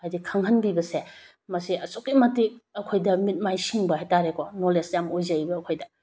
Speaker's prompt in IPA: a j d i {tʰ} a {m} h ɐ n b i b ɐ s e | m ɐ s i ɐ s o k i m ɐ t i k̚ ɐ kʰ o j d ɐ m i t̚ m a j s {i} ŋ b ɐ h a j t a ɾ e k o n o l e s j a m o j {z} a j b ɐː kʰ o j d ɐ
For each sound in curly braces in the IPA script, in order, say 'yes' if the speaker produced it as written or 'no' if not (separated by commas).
no, no, yes, yes